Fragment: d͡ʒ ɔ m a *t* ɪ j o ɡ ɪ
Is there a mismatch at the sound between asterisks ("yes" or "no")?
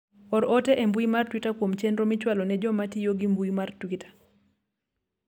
no